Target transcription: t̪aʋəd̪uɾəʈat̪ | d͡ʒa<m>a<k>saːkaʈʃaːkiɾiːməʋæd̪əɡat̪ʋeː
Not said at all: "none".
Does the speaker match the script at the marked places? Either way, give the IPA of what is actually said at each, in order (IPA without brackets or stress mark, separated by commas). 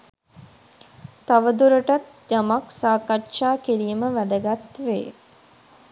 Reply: m, k